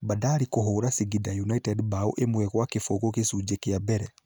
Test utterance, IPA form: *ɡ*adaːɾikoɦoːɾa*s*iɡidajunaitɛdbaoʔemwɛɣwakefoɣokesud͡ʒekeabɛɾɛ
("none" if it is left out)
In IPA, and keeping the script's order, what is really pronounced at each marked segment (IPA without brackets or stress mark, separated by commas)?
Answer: b, s